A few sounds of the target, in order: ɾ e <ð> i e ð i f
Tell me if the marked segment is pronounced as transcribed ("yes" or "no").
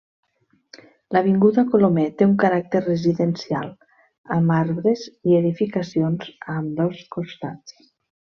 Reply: no